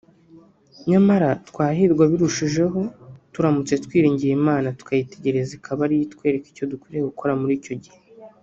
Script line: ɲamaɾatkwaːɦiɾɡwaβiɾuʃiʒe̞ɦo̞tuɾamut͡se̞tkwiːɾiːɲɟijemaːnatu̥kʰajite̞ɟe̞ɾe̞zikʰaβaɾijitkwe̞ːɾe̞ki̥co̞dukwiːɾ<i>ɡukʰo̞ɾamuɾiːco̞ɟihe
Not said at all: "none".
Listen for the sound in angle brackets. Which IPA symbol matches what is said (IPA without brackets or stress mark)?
e